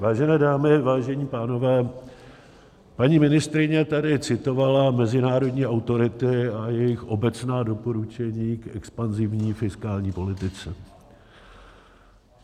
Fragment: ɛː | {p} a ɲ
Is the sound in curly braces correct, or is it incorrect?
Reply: correct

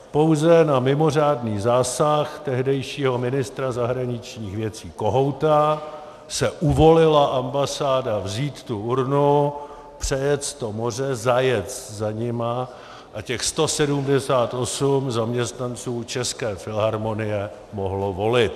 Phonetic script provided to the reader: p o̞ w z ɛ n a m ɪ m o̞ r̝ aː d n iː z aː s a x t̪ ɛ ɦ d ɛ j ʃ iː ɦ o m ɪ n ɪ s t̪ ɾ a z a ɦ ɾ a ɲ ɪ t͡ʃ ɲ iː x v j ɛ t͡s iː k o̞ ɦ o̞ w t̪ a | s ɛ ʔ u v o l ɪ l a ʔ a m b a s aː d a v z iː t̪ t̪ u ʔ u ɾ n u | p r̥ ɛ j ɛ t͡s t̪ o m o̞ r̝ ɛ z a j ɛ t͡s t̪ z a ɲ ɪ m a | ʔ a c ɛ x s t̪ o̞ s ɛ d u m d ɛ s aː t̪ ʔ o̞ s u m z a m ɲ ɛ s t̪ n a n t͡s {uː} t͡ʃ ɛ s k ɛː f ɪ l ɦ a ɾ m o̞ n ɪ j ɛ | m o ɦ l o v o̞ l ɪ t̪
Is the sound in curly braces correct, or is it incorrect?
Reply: correct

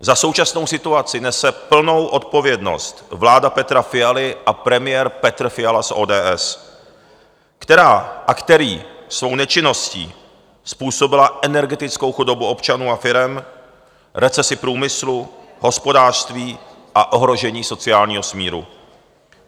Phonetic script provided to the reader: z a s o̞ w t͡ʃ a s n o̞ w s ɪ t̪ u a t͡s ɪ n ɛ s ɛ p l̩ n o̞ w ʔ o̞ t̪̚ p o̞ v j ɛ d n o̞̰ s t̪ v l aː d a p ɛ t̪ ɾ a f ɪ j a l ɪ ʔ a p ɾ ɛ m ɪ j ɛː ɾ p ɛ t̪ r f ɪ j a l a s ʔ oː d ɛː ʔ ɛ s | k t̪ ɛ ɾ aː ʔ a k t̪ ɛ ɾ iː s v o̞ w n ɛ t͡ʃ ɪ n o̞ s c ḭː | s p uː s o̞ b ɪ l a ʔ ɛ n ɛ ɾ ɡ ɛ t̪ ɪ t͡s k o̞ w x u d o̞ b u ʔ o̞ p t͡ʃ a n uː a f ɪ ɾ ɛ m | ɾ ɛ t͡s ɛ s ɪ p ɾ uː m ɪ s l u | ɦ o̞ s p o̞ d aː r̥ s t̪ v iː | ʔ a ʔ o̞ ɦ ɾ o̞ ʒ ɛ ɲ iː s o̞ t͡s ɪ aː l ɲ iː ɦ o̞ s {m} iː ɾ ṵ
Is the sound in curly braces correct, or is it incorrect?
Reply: correct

